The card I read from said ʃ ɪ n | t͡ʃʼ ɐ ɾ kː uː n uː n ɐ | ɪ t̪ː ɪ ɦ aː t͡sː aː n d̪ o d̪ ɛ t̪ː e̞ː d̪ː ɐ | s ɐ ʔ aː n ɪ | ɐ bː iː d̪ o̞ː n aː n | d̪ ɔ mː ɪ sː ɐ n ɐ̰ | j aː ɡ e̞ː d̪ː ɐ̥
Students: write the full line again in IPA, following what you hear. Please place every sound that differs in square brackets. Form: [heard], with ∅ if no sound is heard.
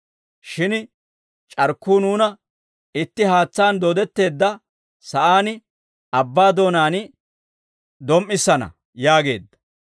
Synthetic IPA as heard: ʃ ɪ n | t͡ʃʼ ɐ ɾ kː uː n uː n ɐ | ɪ t̪ː ɪ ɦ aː t͡sː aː n d̪ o d̪ ɛ t̪ː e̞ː d̪ː ɐ | s ɐ ʔ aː n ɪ | ɐ bː [aː] d̪ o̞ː n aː n | d̪ ɔ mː ɪ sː ɐ n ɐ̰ | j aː ɡ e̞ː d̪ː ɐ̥

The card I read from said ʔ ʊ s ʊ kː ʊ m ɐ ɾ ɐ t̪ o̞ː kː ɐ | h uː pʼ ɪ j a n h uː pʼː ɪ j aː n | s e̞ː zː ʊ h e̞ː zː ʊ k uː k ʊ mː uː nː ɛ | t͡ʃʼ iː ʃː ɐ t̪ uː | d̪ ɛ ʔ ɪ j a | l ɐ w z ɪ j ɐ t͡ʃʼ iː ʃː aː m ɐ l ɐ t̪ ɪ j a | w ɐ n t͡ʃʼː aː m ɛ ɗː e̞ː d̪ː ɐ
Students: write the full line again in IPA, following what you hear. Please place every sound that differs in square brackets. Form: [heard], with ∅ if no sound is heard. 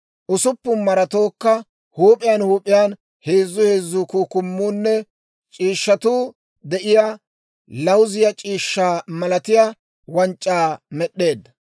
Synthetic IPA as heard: ʔ ʊ s ʊ [pː] ʊ m ɐ ɾ ɐ t̪ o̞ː kː ɐ | h uː pʼ ɪ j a n h uː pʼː ɪ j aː n | [h] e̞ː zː ʊ h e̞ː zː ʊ k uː k ʊ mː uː nː ɛ | t͡ʃʼ iː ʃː ɐ t̪ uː | d̪ ɛ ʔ ɪ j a | l ɐ w z ɪ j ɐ t͡ʃʼ iː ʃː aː m ɐ l ɐ t̪ ɪ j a | w ɐ n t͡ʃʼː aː m ɛ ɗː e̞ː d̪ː ɐ

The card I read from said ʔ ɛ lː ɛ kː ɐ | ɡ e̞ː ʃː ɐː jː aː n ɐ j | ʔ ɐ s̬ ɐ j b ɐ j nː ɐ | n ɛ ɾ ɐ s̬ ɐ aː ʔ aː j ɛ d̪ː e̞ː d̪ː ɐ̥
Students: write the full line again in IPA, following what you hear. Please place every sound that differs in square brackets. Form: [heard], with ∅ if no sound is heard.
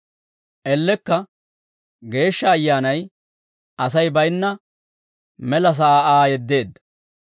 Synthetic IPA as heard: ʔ ɛ lː ɛ kː ɐ | ɡ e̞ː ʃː ɐː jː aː n ɐ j | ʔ ɐ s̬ ɐ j b ɐ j nː ɐ | [m] ɛ [l] ɐ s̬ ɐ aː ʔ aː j ɛ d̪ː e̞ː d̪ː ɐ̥

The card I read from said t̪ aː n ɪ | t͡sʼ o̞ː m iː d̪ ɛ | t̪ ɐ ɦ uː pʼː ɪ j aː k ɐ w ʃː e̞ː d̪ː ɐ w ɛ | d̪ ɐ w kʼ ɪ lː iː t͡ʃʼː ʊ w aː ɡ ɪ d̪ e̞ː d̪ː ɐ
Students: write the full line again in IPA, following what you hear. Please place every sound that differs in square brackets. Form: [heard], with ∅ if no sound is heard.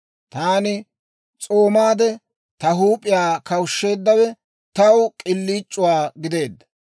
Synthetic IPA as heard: t̪ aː n ɪ | t͡sʼ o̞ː m [aː] d̪ ɛ | t̪ ɐ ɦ uː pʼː ɪ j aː k ɐ w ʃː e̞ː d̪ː ɐ w ɛ | [t̪] ɐ w kʼ ɪ lː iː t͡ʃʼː ʊ w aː ɡ ɪ d̪ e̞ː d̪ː ɐ

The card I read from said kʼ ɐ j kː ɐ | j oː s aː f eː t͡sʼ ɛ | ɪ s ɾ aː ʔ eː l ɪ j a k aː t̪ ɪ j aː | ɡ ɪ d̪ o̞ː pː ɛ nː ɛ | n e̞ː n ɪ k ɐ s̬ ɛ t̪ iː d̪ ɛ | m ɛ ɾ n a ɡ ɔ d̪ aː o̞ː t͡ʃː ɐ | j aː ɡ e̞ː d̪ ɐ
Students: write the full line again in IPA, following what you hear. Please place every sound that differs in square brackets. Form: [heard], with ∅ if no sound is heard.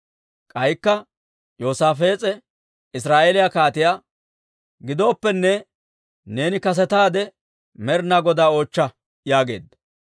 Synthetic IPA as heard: kʼ ɐ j kː ɐ | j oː s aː f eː t͡sʼ ɛ | ɪ s ɾ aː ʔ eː l ɪ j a k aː t̪ ɪ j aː | ɡ ɪ d̪ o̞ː pː ɛ nː ɛ | n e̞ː n ɪ k ɐ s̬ ɛ t̪ [aː] d̪ ɛ | m ɛ ɾ n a ɡ ɔ d̪ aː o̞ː t͡ʃː ɐ | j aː ɡ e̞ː d̪ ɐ

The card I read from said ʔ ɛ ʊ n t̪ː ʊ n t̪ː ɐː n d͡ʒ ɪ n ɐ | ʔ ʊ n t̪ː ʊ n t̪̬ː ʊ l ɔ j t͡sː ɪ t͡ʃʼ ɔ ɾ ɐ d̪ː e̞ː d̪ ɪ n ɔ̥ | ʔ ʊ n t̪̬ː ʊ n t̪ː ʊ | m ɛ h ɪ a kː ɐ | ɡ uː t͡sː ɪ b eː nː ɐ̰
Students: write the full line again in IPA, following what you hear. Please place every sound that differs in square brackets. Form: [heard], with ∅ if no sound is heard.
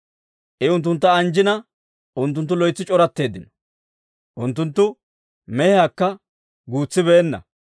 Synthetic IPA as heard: ʔ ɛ ʊ n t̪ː ʊ n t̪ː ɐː n d͡ʒ ɪ n ɐ | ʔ ʊ n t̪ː ʊ n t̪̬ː ʊ l ɔ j t͡sː ɪ t͡ʃʼ ɔ ɾ ɐ [t̪ː] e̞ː d̪ ɪ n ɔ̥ | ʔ ʊ n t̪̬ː ʊ n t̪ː ʊ | m ɛ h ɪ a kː ɐ | ɡ uː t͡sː ɪ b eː nː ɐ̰

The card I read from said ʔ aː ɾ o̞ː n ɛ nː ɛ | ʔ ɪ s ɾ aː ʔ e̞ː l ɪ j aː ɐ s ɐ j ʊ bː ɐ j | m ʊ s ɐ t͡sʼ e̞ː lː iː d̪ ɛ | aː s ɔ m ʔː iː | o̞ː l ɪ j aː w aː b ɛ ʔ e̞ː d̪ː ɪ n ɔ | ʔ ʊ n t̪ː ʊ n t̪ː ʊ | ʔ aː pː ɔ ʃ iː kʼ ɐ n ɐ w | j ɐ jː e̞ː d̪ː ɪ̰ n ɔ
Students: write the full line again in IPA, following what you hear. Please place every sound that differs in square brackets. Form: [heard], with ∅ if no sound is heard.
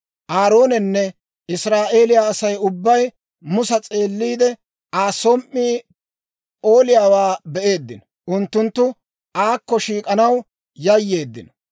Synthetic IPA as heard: ʔ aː ɾ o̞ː n ɛ nː ɛ | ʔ ɪ s ɾ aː ʔ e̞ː l ɪ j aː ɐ s ɐ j ʊ bː ɐ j | m ʊ s ɐ t͡sʼ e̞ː lː iː d̪ ɛ | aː s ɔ m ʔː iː | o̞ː l ɪ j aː w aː b ɛ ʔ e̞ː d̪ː ɪ n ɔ | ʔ ʊ n t̪ː ʊ n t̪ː ʊ | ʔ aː [kː] ɔ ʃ iː kʼ ɐ n ɐ w | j ɐ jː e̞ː d̪ː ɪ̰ n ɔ

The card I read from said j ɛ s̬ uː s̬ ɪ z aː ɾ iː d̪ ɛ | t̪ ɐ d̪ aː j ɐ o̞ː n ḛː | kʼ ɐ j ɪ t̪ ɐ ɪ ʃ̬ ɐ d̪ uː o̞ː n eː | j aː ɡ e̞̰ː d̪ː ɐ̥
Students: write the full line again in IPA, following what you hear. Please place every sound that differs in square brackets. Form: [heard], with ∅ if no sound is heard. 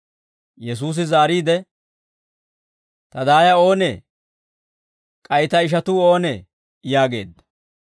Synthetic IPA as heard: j ɛ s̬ uː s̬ ɪ z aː ɾ iː d̪ ɛ | t̪ ɐ d̪ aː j ɐ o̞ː n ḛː | kʼ ɐ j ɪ t̪ ɐ ɪ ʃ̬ ɐ [t̪] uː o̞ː n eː | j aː ɡ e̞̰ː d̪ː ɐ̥

